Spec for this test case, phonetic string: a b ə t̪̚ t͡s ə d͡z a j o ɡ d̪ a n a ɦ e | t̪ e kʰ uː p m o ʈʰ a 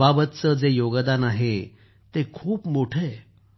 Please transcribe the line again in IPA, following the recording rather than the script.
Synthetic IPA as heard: a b ə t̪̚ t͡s ə d͡z e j o ɡ d̪ a n a ɦ e | t̪ e kʰ uː p m o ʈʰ e